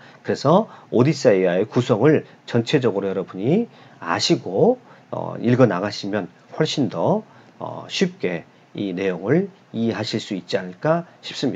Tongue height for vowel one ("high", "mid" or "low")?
high